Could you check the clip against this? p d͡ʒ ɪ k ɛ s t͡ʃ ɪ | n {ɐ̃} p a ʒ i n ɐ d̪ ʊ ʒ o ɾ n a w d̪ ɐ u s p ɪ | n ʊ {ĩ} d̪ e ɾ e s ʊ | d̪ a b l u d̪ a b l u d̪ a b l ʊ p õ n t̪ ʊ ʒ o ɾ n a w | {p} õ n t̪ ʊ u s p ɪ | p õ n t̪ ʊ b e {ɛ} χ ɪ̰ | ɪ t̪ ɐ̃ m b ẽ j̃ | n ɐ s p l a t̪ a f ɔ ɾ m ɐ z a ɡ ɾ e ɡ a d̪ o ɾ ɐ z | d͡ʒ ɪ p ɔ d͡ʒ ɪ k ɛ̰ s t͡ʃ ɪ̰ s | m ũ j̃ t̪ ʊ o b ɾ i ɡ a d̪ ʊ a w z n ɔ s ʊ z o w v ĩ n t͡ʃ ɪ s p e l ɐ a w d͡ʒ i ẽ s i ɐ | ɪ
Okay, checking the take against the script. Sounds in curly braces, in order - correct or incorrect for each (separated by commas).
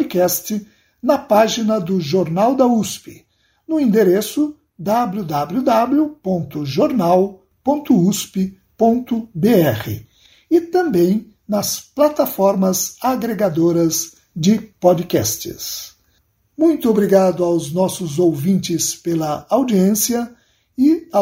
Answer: incorrect, correct, correct, correct